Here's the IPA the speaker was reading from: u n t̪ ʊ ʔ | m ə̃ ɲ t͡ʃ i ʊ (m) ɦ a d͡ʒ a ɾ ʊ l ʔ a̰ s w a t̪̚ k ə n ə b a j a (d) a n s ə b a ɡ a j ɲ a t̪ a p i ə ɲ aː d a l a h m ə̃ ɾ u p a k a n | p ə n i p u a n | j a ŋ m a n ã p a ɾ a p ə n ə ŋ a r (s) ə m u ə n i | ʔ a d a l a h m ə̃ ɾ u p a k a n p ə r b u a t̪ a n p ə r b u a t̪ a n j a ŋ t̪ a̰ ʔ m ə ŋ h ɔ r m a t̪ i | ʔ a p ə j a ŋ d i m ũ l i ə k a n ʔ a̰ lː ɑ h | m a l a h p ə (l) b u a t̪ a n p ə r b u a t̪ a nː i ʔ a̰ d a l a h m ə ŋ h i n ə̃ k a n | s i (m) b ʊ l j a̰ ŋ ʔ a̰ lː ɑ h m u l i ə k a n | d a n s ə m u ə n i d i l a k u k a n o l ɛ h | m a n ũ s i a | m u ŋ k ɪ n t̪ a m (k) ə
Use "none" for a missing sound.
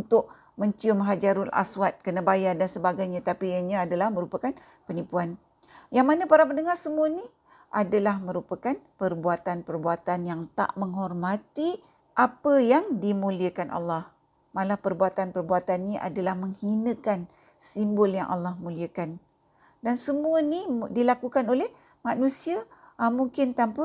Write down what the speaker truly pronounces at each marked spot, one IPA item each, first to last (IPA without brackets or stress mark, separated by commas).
m, d, s, r, m, p